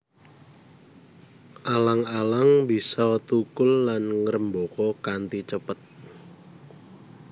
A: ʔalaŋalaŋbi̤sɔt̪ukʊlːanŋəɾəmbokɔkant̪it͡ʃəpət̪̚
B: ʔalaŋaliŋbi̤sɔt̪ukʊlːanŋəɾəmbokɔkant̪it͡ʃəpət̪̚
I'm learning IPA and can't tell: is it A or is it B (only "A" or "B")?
A